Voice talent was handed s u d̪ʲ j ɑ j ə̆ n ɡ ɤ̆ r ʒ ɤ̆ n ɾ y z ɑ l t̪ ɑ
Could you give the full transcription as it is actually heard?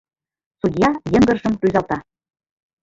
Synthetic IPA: s u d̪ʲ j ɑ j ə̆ ŋ ɡ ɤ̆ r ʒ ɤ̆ m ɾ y z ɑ l t̪ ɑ